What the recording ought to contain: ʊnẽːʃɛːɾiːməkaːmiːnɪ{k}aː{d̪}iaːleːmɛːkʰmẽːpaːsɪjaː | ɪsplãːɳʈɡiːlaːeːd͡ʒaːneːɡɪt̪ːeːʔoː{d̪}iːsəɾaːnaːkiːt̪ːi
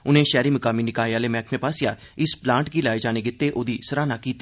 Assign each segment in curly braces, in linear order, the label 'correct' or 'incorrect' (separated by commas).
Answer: correct, incorrect, correct